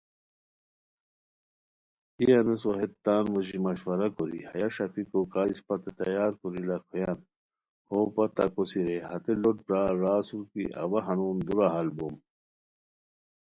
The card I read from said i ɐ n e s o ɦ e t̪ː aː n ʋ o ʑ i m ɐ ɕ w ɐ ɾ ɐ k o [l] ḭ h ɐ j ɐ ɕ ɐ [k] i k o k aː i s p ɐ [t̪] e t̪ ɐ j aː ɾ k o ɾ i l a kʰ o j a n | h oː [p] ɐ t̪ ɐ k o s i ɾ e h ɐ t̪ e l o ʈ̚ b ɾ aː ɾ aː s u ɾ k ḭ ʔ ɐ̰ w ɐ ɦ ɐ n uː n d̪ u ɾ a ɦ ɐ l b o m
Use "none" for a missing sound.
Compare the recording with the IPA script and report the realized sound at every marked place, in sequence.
ɾ, p, t̪, p

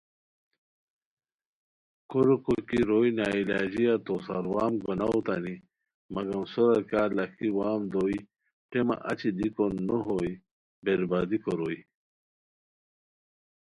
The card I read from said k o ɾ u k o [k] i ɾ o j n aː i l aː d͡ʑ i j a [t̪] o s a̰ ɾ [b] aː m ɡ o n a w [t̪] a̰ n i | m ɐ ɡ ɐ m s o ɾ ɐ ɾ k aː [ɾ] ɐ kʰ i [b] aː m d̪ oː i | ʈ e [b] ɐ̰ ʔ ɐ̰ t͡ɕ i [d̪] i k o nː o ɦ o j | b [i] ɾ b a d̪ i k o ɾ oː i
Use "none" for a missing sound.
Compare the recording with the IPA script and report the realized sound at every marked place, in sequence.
k, t̪, w, t̪, l, w, m, d̪, e

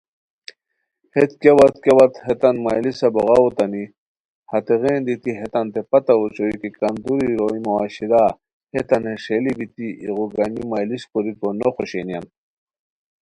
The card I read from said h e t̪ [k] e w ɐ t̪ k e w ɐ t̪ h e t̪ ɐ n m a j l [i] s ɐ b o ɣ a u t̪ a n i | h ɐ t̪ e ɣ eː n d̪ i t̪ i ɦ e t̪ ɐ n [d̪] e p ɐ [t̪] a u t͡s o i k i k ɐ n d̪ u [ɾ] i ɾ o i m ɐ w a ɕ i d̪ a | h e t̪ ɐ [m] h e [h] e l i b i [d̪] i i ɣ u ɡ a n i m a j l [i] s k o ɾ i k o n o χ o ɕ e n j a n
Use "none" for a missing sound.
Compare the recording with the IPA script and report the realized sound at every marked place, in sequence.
k, i, t̪, t̪, ɾ, n, ʂ, t̪, i

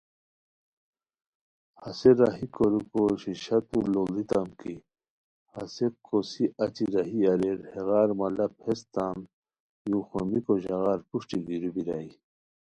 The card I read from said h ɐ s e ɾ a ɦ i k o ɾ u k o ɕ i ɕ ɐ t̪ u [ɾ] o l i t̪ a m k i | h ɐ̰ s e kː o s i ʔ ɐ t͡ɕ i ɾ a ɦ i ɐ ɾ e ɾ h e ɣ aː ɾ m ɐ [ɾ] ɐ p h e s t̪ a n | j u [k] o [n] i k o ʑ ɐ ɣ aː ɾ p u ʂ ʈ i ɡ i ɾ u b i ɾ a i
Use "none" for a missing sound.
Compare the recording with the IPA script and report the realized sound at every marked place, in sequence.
l, l, x, m

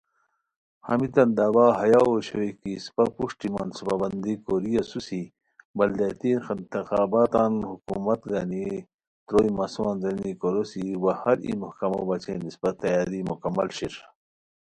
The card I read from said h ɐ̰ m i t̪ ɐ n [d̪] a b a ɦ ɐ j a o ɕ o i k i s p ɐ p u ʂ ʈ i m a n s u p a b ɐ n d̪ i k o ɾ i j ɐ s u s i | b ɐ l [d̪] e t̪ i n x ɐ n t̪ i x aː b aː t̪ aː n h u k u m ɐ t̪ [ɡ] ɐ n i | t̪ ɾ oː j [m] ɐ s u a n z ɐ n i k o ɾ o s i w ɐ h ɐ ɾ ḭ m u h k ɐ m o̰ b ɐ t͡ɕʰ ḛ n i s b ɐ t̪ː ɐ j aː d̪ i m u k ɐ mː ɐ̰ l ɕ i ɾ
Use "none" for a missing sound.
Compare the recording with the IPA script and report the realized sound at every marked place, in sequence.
d̪, d̪, ɡ, m

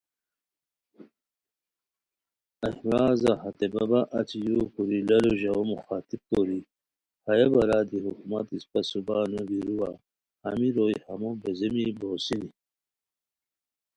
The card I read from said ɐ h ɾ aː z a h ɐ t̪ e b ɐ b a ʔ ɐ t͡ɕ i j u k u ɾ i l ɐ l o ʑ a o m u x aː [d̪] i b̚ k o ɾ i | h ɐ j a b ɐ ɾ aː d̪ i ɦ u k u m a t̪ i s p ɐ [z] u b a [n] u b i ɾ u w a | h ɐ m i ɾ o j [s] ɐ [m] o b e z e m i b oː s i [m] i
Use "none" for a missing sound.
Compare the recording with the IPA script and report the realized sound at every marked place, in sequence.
t̪, s, n, h, m, n

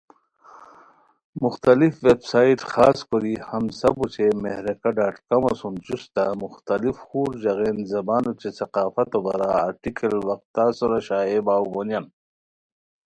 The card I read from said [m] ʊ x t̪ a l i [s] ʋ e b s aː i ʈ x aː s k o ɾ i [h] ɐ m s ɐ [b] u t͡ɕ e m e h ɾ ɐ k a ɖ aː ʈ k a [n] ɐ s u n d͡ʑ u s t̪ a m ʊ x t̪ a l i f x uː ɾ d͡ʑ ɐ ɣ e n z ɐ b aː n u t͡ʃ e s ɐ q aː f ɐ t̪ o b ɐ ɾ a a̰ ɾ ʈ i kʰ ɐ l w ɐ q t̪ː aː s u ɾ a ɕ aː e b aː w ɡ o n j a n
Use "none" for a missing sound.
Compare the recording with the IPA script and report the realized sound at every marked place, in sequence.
m, f, h, b, m

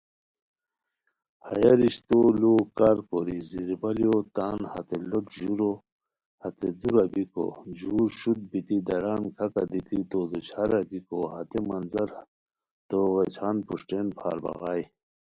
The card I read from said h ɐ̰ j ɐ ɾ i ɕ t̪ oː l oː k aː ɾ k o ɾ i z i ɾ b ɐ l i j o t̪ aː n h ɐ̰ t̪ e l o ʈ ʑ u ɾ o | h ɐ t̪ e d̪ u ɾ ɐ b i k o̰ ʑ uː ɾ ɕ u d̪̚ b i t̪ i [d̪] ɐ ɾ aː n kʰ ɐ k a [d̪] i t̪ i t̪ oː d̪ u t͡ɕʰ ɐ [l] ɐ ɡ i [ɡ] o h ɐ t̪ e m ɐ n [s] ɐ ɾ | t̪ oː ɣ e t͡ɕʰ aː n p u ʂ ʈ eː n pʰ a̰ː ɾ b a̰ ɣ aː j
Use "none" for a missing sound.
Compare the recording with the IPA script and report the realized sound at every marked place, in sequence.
d̪, d̪, ɾ, k, z

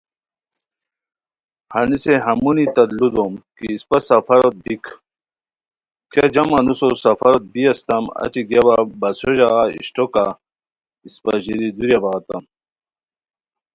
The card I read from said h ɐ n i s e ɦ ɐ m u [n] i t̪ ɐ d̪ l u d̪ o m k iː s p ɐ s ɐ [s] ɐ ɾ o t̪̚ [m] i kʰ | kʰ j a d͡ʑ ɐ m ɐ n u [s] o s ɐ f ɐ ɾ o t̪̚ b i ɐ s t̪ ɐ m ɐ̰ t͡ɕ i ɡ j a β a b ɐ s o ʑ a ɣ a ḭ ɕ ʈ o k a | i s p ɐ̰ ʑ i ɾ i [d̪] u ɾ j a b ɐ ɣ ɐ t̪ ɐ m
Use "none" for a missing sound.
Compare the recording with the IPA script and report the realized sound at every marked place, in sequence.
n, f, b, s, d̪

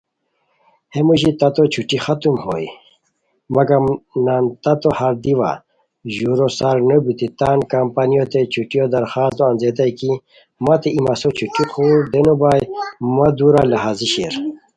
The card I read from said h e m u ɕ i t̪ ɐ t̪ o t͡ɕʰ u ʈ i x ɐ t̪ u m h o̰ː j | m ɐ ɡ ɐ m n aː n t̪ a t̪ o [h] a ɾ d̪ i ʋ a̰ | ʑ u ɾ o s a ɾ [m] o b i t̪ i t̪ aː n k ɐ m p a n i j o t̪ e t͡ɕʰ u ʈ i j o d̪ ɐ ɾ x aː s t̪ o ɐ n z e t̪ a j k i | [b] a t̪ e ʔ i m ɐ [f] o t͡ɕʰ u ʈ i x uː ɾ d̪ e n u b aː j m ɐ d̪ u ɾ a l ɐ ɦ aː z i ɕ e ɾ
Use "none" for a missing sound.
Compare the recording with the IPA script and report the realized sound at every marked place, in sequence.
h, n, m, s

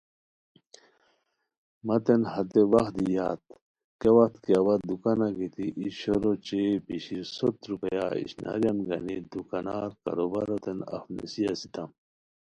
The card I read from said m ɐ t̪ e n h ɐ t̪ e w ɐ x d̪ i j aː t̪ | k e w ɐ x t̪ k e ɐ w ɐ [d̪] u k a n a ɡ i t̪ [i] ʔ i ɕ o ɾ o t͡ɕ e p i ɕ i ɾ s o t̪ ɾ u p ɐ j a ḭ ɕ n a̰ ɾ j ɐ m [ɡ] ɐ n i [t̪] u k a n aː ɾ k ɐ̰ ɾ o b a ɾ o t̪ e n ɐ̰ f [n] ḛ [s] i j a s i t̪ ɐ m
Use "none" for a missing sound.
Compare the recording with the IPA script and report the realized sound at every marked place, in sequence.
d̪, i, ɡ, d̪, n, s

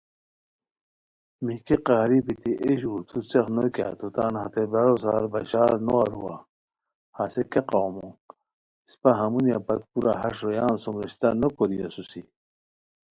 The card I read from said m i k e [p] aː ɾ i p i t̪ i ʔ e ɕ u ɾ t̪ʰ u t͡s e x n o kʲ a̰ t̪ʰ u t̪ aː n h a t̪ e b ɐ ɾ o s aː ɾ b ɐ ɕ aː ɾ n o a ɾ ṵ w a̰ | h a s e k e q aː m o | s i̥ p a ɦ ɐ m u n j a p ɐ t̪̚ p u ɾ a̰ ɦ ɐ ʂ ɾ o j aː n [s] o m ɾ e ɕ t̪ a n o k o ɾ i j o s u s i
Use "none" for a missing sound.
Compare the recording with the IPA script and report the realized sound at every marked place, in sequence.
q, s

